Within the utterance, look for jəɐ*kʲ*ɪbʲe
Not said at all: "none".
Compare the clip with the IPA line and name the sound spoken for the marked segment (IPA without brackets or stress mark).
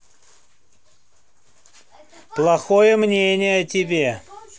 tʲ